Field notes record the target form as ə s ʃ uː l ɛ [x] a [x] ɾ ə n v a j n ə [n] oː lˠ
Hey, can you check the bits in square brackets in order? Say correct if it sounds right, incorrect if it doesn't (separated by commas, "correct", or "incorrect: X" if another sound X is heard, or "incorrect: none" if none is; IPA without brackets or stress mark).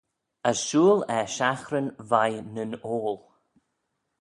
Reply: incorrect: ʃ, correct, correct